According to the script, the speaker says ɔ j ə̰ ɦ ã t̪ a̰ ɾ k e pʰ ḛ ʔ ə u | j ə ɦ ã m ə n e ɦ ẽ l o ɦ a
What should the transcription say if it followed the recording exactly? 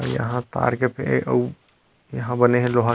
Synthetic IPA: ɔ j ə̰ ɦ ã t̪ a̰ ɾ k e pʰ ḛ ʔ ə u | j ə ɦ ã b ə n e ɦ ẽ l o ɦ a